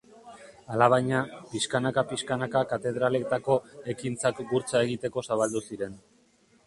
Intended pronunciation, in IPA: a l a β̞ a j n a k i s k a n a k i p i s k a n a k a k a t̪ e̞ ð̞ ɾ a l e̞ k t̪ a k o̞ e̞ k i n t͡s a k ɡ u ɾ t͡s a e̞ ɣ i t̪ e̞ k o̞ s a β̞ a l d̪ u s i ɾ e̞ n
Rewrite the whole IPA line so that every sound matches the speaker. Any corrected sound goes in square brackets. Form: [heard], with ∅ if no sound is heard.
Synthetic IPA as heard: a l a β̞ a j [ɲ] a [p] i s k a n a k [a] p i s k a n a k a k a t̪ e̞ ð̞ ɾ a l e̞ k t̪ a k o̞ e̞ k i n t͡s a k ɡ u ɾ t͡s a e̞ ɣ i t̪ e̞ k o̞ s a β̞ a l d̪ u s i ɾ e̞ n